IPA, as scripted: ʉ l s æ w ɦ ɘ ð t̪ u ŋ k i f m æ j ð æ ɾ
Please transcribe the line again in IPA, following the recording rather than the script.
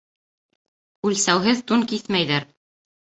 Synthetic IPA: ʉ l s æ w ɦ ɘ ð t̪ u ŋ k i θ m æ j ð æ ɾ